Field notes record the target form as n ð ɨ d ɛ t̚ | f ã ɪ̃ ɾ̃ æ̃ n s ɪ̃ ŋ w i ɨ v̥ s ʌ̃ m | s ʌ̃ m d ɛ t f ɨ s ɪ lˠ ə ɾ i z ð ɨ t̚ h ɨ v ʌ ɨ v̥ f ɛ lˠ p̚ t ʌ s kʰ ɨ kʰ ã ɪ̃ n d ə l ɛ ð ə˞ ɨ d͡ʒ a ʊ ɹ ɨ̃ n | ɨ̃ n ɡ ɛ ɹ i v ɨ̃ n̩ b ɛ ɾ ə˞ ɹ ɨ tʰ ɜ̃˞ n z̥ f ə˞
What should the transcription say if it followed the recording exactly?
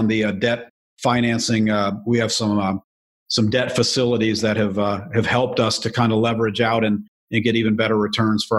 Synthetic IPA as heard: n ð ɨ d ɛ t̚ | f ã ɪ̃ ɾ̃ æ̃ n s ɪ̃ ŋ w i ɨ v̥ s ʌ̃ m | s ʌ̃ m d ɛ t f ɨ s ɪ lˠ ə ɾ i z ð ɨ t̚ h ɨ v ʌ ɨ v̥ h ɛ lˠ p̚ t ʌ s tʰ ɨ kʰ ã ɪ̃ n d ə l ɛ v ə˞ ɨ d͡ʒ a ʊ ɾ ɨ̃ n | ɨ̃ n ɡ ɛ ɾ i v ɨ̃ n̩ b ɛ ɾ ə˞ ɹ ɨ tʰ ɜ̃˞ n z̥ f ə˞